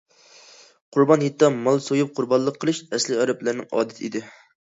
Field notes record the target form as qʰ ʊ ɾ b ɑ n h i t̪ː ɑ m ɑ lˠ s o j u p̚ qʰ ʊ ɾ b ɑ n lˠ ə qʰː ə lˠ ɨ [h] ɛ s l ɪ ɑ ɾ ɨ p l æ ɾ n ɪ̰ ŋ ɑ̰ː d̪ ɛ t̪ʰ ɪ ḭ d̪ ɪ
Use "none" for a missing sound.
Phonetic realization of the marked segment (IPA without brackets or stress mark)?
ʃ